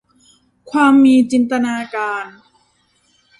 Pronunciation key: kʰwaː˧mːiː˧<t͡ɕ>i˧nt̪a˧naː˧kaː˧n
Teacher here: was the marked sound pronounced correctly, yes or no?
yes